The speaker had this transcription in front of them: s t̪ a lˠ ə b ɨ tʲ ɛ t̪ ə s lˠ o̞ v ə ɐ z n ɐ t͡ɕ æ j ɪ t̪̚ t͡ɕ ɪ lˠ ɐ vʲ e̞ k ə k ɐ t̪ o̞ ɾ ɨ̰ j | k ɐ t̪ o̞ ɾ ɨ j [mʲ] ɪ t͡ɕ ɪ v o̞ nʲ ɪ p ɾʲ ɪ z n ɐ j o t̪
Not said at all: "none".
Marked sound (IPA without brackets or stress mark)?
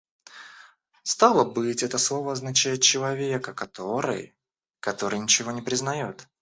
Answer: nʲ